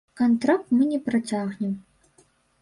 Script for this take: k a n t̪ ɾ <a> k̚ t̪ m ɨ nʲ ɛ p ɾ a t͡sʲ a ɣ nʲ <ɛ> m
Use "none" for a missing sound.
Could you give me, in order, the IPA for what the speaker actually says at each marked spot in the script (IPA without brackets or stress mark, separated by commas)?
a, ɛ